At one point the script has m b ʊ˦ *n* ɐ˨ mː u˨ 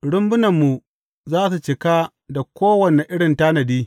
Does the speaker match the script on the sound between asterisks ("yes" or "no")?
yes